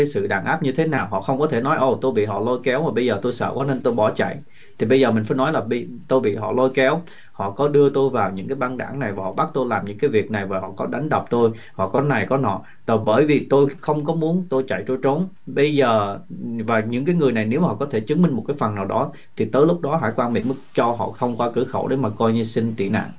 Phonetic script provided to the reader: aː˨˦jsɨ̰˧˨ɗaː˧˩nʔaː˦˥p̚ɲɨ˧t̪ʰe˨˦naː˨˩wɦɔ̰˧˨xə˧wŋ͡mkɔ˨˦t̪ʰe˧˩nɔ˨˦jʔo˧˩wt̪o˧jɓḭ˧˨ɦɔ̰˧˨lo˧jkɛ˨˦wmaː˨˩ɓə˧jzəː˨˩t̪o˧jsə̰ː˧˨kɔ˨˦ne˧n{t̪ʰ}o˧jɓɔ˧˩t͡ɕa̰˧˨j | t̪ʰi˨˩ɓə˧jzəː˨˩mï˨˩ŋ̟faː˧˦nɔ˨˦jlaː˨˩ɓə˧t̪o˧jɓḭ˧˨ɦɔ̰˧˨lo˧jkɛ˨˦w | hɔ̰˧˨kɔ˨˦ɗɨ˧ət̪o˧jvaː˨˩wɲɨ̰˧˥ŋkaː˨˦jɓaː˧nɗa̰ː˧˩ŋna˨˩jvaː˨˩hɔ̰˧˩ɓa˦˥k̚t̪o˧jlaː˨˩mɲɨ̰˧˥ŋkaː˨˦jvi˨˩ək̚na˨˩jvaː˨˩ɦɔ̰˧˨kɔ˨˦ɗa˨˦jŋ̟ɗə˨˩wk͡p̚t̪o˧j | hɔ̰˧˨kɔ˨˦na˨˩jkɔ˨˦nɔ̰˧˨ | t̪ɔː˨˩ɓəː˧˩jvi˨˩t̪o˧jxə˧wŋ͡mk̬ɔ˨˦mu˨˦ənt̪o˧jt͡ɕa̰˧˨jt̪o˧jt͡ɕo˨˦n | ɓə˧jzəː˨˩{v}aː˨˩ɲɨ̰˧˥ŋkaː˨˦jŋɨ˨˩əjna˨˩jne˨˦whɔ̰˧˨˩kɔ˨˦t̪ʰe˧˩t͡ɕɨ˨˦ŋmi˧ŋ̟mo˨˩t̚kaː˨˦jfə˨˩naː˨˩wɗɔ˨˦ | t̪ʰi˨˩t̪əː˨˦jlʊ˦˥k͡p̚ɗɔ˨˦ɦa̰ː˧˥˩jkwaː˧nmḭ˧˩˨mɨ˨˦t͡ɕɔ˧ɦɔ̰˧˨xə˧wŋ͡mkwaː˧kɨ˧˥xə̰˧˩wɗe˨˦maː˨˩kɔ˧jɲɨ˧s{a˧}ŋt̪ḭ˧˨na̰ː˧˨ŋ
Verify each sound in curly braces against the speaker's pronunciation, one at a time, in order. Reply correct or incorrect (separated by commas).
incorrect, correct, incorrect